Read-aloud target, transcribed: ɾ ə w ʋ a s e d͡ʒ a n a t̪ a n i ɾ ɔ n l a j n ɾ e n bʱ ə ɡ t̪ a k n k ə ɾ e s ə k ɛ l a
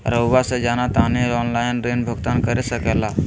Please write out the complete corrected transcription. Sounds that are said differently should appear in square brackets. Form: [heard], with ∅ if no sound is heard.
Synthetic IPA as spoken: ɾ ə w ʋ a s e d͡ʒ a n a t̪ a n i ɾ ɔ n l a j n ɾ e n bʱ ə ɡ t̪ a [∅] n k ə ɾ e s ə k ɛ l a